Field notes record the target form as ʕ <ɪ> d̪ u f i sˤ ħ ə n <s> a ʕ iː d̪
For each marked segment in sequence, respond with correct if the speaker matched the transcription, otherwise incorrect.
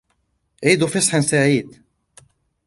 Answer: incorrect: i, correct

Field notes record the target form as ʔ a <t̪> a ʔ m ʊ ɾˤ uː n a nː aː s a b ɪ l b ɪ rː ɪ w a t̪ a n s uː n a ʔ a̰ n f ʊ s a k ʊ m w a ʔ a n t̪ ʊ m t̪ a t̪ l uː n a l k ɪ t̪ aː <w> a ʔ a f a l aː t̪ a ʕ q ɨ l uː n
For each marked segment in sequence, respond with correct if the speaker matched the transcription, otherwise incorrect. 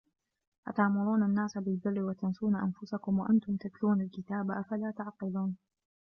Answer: correct, incorrect: b

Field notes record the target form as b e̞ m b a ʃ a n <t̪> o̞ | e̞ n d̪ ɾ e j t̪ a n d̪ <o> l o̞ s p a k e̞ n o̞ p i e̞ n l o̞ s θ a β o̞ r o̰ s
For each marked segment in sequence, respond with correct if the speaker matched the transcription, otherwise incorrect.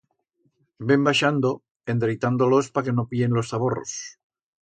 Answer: incorrect: d̪, correct

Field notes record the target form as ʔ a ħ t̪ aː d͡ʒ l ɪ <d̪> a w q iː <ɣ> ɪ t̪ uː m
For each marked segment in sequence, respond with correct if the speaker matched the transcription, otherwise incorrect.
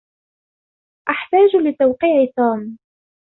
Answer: incorrect: t̪, incorrect: ʕ

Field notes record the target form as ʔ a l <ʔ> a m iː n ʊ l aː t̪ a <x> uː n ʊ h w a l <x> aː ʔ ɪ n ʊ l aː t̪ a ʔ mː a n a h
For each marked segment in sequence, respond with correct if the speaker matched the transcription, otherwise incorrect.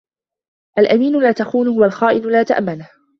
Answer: correct, correct, correct

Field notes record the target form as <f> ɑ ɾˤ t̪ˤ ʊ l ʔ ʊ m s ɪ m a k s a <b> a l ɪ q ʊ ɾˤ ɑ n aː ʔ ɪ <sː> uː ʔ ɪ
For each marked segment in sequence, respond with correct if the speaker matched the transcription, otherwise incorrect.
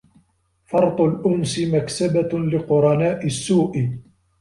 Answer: correct, correct, correct

